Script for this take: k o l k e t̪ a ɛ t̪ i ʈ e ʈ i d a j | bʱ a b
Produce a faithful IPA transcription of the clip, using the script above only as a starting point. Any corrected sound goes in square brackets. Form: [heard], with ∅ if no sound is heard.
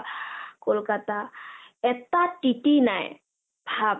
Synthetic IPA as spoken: k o l k [a] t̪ a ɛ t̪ [a] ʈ [i] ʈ i [n] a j | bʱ a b